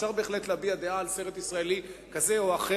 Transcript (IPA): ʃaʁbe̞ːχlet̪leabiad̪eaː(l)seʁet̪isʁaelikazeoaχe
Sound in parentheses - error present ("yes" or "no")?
no